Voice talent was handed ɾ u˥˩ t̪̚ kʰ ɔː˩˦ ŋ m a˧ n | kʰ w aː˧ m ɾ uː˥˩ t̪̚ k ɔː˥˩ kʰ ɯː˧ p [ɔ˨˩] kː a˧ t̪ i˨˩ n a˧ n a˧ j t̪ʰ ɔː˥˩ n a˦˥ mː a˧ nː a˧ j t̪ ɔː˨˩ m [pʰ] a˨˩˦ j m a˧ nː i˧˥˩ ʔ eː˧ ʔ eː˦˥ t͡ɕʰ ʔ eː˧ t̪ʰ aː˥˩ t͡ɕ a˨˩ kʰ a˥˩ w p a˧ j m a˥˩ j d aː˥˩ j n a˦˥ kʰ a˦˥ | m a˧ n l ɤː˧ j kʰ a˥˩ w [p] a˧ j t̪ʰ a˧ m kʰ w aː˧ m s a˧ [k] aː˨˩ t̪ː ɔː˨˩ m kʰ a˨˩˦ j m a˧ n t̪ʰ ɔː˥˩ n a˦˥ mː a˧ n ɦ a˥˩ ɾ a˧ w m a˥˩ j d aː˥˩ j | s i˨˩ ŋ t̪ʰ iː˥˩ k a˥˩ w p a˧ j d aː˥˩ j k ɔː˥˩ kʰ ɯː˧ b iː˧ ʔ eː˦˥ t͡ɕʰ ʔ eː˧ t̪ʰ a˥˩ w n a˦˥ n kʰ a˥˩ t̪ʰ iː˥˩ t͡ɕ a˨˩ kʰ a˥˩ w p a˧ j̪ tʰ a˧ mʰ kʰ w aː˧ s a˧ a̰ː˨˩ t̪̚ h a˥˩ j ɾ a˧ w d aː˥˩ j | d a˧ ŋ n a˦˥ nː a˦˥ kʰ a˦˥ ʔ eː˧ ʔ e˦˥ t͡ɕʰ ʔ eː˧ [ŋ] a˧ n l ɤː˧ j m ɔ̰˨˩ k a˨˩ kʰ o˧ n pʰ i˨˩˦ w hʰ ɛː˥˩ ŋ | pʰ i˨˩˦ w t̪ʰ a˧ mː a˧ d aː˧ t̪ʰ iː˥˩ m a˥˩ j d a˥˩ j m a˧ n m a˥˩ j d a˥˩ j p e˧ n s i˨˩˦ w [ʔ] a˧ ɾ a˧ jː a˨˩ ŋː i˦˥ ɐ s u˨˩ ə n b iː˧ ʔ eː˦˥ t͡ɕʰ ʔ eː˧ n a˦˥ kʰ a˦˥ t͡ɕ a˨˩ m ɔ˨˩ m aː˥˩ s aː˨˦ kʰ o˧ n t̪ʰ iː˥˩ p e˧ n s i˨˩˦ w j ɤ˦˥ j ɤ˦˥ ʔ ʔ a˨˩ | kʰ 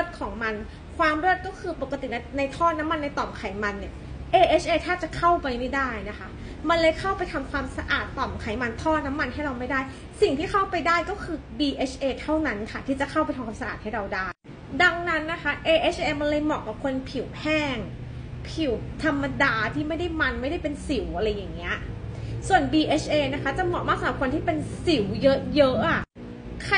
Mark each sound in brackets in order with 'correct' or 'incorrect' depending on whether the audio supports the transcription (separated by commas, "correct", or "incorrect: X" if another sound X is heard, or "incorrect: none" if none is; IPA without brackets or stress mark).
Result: incorrect: o˨˩, incorrect: kʰ, correct, incorrect: ʔ, incorrect: m, correct